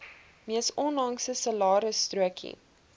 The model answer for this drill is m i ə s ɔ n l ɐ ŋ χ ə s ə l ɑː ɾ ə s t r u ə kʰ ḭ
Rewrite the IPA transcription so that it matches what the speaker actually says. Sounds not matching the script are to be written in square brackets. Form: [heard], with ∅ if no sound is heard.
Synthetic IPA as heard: m i ə s ɔ n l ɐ ŋ [s] ə s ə l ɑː ɾ ə s t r u ə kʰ ḭ